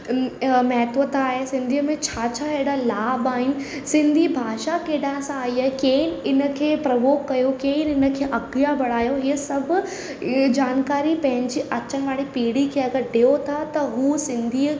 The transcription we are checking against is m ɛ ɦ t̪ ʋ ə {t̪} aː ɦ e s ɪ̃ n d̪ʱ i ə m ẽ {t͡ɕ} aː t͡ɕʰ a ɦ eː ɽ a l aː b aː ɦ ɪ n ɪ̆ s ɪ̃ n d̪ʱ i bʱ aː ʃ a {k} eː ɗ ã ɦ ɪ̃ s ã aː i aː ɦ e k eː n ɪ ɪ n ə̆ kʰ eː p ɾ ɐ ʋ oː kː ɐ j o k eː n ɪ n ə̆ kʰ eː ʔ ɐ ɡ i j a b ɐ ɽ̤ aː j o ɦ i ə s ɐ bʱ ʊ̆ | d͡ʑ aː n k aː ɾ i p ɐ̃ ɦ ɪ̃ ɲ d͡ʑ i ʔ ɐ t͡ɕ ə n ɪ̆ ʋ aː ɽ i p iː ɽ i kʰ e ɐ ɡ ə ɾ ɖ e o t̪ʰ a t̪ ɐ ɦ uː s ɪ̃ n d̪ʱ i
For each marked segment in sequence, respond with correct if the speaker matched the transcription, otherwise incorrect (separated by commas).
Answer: correct, incorrect, correct